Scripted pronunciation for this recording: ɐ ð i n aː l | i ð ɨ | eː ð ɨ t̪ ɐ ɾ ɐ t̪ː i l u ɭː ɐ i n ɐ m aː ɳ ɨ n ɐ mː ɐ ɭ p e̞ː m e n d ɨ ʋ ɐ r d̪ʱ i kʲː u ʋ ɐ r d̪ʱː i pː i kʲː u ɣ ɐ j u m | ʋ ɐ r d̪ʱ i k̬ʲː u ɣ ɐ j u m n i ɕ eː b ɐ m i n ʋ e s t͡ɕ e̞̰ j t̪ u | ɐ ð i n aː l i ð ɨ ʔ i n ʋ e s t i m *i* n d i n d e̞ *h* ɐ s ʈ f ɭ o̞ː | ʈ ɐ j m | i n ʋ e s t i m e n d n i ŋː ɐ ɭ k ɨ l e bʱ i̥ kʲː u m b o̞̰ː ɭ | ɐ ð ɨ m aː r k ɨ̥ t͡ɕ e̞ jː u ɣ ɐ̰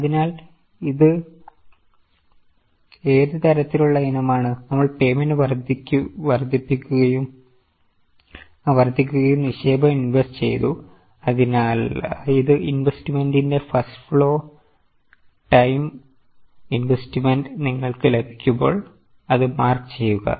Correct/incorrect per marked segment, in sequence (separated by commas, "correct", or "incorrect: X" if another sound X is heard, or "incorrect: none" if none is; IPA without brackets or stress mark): incorrect: e, incorrect: f